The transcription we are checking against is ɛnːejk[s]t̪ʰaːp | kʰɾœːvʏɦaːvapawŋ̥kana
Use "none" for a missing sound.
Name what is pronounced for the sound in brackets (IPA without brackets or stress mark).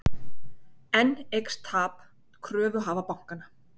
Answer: s